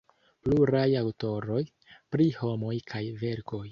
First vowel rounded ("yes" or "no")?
yes